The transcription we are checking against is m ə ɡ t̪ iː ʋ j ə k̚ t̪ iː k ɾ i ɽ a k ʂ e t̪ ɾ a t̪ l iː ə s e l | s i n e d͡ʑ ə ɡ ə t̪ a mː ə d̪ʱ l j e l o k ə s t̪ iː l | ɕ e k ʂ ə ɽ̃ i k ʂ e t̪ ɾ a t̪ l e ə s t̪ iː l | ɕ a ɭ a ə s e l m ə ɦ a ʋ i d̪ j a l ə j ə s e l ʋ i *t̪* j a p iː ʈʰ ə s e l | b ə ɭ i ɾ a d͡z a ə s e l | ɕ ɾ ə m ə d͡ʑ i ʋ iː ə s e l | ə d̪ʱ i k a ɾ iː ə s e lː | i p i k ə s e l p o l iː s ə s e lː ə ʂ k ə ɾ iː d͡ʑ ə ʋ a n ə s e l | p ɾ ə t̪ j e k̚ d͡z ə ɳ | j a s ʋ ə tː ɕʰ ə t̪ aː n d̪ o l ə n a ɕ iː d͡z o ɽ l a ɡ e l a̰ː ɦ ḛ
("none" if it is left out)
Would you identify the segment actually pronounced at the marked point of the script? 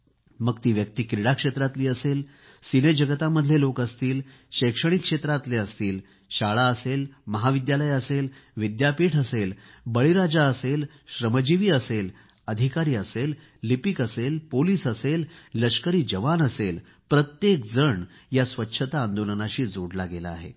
d̪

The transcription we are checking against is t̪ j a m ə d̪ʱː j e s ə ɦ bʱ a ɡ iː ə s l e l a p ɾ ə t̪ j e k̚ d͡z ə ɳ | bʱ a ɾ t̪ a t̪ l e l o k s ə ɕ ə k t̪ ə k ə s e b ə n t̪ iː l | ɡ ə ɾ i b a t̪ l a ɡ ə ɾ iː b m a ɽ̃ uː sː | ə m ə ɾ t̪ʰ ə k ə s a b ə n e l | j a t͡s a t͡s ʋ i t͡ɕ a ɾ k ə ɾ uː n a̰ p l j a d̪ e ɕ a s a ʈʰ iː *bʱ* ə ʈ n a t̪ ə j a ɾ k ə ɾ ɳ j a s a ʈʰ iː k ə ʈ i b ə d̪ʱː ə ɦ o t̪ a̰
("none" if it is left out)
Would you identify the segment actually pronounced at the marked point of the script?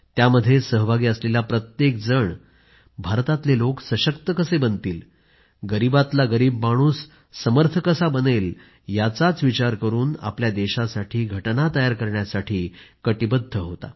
ɡʱ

